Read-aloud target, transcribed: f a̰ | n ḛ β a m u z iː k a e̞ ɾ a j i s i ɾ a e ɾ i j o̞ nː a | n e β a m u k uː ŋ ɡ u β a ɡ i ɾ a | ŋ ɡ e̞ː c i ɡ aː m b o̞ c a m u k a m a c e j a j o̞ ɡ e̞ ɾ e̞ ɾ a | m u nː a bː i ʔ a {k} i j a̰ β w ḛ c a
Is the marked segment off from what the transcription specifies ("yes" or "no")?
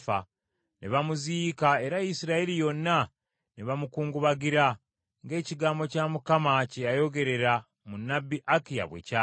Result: no